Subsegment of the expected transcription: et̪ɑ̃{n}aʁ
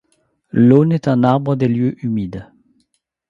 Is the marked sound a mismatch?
no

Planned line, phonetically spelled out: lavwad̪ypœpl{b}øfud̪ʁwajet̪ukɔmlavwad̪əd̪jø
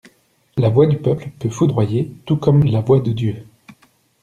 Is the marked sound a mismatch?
yes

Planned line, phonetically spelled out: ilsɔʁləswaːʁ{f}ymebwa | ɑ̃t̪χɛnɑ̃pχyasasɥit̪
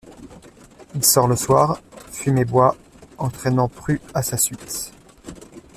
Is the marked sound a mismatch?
no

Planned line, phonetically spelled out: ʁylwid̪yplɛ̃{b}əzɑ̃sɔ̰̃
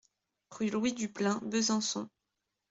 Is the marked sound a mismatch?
no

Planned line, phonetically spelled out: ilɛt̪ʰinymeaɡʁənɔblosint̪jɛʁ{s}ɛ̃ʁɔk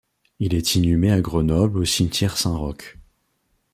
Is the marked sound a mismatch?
no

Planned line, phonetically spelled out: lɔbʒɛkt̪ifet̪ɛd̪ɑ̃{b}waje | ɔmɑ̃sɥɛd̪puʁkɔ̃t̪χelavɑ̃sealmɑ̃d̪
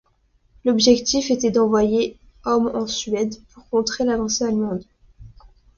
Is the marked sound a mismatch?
yes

